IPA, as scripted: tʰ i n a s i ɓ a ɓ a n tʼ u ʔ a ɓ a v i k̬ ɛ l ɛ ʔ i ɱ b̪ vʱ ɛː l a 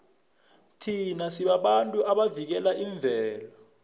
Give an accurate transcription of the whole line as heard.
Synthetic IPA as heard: tʰ i n a s i ɓ a ɓ a n tʼ u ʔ a ɓ a v i k̬ ɛ l a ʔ i ɱ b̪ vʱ ɛː l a

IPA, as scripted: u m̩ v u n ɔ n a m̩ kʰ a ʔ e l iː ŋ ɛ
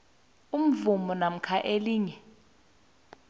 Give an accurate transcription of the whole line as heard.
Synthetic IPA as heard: u m̩ v u m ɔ n a m̩ kʰ a ʔ e l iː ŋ ɛ

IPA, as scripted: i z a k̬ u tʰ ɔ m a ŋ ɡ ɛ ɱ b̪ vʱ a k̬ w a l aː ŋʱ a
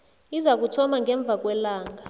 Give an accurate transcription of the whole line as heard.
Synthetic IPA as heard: i z a k̬ u tʰ ɔ m a ŋ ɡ ɛ ɱ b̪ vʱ a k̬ w ɛ l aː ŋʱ a

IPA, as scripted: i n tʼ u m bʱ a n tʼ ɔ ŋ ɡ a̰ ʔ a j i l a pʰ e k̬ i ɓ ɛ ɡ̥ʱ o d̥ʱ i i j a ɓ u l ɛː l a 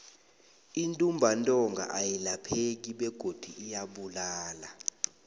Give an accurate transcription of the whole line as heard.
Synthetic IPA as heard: i n tʼ u m bʱ a n tʼ ɔ ŋ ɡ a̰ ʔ a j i l a pʰ e k̬ i ɓ ɛ ɡ̥ʱ o d̥ʱ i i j a ɓ u l aː l a

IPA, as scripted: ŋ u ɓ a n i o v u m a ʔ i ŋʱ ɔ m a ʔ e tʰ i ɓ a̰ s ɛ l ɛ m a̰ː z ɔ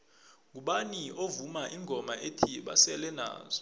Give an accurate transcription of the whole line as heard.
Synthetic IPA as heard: ŋ u ɓ a n i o v u m a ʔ i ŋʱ ɔ m a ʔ e tʰ i ɓ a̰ s ɛ l ɛ n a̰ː z ɔ

